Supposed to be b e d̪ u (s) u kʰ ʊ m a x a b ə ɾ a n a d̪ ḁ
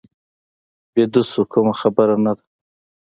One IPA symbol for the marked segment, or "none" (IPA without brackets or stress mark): s